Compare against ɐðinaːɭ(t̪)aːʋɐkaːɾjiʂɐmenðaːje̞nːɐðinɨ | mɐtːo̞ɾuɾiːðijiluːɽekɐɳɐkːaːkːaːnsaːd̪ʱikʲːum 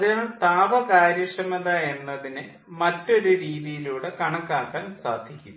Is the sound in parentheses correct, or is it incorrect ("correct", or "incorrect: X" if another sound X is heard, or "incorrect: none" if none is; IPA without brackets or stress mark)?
correct